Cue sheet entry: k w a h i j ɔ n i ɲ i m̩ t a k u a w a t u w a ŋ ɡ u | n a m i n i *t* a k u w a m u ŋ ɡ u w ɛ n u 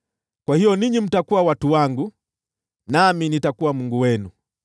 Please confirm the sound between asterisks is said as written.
yes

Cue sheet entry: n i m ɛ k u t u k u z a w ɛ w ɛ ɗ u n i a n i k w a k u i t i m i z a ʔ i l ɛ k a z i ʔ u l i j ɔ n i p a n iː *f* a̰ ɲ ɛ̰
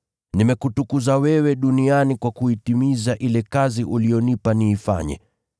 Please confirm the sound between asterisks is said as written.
yes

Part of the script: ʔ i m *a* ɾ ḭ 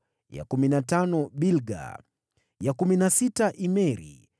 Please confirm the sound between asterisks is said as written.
no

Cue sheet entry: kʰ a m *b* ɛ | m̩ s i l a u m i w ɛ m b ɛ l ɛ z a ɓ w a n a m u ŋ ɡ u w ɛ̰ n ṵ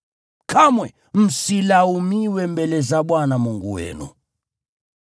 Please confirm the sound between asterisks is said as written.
no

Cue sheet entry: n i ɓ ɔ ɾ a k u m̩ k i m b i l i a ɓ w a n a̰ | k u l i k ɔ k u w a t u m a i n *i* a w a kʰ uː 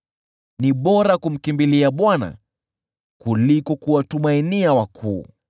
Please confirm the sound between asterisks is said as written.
yes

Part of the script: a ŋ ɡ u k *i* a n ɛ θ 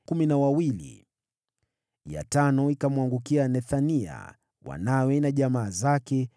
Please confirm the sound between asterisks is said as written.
yes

